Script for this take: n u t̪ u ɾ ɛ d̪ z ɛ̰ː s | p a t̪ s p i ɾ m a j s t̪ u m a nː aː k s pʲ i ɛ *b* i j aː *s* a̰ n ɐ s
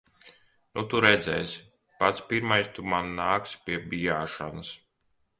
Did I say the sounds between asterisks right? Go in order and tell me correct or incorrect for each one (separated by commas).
correct, incorrect